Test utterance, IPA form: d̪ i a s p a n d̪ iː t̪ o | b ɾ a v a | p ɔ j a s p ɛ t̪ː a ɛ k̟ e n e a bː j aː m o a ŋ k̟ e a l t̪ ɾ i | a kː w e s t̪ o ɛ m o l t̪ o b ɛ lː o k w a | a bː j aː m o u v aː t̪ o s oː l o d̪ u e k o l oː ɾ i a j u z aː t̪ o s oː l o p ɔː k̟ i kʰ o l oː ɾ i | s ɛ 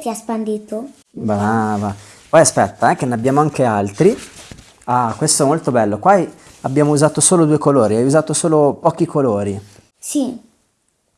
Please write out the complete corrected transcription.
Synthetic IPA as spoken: t̪ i a s p a n d̪ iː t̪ o | b ɾ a v a | p ɔ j a s p ɛ t̪ː a ɛ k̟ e n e a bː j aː m o a ŋ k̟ e a l t̪ ɾ i | a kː w e s t̪ o ɛ m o l t̪ o b ɛ lː o k w a | a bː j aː m o u z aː t̪ o s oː l o d̪ u e k o l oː ɾ i a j u z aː t̪ o s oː l o p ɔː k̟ i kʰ o l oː ɾ i | s i